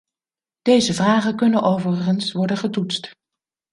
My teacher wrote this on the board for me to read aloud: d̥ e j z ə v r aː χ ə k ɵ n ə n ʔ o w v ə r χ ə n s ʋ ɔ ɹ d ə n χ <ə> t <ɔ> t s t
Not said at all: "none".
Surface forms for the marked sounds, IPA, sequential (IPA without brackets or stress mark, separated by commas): ə, u